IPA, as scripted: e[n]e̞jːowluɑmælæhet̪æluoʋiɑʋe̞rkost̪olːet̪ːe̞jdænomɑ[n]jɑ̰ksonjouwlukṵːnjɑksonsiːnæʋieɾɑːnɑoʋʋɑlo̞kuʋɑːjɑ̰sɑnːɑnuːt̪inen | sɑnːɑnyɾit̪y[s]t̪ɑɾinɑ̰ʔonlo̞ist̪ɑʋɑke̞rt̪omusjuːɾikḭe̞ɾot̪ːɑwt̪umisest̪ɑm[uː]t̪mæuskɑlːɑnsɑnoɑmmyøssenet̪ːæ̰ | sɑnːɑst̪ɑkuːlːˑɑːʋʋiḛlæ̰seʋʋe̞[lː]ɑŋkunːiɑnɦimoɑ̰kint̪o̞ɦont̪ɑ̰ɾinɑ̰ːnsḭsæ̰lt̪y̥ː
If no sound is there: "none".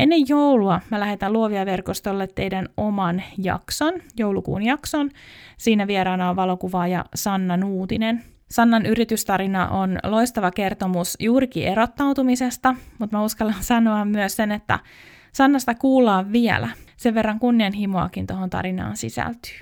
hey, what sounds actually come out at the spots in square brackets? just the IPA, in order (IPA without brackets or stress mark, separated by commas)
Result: nː, n, s, u, rː